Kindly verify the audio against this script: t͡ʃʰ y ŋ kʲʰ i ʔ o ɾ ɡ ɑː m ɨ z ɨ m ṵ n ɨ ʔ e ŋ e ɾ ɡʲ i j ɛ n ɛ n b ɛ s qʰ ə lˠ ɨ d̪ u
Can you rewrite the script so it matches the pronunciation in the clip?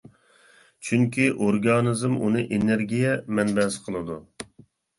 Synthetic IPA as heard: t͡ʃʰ y ŋ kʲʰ i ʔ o ɾ ɡ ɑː n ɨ z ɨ m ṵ n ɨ ʔ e n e ɾ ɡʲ i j ɛ m ɛ n b ɛ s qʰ ə lˠ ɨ d̪ u